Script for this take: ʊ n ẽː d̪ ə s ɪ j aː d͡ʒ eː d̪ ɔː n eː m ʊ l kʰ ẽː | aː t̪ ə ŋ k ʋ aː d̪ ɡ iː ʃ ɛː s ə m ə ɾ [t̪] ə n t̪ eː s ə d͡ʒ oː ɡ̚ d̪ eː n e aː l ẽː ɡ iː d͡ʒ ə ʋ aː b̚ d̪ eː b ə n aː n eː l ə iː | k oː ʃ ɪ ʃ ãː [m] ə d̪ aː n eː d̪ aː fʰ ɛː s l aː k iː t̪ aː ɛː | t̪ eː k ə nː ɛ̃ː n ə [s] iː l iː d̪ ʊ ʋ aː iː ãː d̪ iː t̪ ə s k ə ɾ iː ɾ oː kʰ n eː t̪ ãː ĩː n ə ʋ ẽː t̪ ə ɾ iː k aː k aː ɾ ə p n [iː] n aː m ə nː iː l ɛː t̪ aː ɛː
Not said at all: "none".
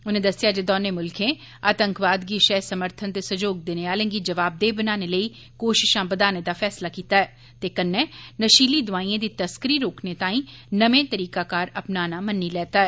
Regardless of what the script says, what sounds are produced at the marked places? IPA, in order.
t̪ʰ, b, ʃ, aː

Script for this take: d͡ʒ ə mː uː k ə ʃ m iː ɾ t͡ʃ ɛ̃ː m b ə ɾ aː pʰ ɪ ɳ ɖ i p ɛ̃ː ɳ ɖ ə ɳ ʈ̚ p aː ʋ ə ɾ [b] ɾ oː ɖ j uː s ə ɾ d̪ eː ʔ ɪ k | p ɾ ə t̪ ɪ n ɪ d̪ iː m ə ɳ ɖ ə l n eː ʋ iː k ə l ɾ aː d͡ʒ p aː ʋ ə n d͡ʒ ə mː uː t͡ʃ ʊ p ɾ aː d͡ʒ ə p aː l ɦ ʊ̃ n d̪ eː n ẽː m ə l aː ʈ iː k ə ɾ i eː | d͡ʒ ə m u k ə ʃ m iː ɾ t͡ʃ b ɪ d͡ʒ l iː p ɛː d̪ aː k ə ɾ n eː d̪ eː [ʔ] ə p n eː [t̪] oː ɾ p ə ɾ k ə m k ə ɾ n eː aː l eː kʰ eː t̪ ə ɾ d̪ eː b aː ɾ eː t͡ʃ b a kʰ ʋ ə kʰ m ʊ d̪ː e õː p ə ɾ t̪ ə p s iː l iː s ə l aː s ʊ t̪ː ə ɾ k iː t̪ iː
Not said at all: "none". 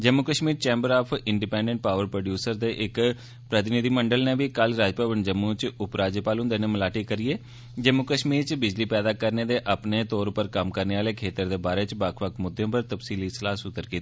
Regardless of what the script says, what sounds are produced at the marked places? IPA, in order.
p, ʔ, t̪

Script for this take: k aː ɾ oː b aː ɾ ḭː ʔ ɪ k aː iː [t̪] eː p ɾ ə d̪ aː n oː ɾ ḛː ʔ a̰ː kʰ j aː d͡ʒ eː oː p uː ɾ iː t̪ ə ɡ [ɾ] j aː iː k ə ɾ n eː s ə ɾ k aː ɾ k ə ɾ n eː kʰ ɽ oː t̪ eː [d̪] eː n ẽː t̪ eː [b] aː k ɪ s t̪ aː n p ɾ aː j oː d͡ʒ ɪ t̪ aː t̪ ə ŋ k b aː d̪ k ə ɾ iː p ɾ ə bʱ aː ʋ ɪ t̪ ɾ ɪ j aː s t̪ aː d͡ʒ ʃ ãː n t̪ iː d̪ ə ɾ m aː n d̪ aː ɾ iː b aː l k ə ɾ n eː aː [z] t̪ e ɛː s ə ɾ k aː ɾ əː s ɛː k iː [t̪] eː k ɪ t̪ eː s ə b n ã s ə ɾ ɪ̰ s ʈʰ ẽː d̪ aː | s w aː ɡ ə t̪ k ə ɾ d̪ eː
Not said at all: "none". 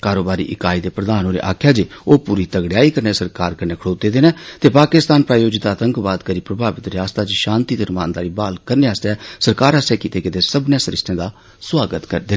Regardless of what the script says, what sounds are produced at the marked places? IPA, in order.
d̪, ɽ, d̪, p, s, t̪

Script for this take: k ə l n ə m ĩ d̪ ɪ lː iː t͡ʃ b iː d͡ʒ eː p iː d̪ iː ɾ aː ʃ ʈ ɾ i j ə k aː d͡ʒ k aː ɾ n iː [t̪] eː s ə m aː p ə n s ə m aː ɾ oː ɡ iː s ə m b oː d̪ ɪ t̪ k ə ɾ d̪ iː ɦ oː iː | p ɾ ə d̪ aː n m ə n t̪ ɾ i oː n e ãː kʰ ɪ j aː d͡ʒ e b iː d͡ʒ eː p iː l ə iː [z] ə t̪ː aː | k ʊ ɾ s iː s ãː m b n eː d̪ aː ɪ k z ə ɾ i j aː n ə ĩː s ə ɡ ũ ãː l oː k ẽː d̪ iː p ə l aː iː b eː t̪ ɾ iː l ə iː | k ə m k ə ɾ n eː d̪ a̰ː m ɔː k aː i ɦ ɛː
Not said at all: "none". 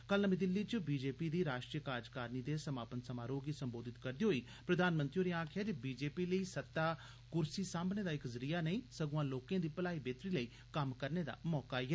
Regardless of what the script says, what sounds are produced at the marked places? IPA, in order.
d̪, s

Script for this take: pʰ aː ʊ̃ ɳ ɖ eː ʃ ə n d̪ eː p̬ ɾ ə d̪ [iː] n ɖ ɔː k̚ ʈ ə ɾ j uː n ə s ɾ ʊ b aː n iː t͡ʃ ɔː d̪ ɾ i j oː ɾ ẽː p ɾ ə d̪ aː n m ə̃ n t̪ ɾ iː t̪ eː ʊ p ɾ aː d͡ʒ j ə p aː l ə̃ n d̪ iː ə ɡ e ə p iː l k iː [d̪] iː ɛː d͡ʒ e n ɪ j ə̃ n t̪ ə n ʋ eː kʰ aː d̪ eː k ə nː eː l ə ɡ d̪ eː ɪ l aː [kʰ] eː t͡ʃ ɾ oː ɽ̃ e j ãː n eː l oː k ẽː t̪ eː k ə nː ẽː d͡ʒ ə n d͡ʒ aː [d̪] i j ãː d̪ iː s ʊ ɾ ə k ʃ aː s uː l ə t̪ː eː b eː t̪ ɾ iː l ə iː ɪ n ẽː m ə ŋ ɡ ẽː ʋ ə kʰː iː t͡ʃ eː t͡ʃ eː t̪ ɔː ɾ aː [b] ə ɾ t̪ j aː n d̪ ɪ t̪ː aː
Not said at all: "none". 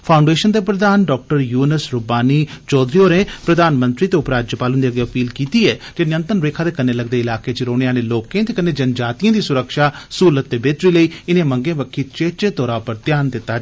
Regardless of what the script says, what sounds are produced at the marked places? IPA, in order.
aː, t̪, k, t̪, p

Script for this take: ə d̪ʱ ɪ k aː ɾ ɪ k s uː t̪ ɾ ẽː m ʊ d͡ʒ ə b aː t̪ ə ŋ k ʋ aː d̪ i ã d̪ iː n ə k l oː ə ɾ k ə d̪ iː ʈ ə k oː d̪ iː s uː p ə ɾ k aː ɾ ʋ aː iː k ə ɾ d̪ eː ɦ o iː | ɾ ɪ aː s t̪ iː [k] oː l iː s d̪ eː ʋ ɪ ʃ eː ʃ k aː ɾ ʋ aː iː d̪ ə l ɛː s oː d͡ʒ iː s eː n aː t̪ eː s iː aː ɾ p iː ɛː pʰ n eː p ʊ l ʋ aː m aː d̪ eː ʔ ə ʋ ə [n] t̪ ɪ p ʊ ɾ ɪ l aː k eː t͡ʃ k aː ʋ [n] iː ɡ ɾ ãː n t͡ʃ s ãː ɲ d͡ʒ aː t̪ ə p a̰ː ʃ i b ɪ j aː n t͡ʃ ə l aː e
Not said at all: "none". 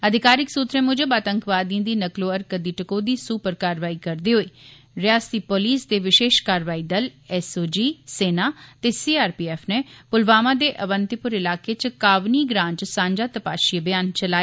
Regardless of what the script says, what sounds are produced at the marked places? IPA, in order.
p, n, n

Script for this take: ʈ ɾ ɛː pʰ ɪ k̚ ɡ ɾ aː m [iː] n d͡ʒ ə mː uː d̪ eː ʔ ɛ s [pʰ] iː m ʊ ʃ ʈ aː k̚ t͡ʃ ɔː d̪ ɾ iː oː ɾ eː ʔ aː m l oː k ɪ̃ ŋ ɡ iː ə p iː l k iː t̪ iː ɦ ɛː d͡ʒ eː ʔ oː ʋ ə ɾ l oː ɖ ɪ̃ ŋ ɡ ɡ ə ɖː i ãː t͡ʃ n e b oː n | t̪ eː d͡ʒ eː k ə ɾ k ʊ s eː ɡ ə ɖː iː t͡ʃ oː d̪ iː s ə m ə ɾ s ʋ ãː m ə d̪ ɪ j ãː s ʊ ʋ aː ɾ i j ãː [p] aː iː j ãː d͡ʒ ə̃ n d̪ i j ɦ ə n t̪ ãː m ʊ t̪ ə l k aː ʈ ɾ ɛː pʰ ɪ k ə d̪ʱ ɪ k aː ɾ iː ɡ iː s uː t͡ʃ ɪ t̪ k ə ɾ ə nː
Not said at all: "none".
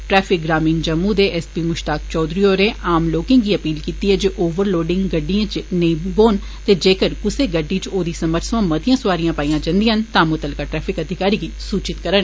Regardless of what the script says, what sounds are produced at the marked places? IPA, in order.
iː, p, p

